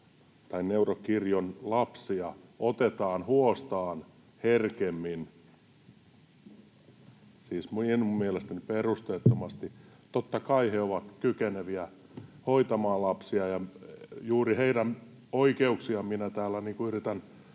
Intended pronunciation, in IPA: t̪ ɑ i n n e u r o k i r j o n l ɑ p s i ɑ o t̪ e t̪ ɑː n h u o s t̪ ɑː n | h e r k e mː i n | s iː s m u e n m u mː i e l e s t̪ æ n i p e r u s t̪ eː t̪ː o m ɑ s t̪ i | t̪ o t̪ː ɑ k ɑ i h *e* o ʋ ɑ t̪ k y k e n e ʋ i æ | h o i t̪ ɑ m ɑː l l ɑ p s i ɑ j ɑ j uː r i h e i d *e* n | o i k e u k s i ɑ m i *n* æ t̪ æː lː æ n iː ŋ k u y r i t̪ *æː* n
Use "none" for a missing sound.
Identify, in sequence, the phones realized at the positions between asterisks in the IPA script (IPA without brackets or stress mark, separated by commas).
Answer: e, æ, n, æ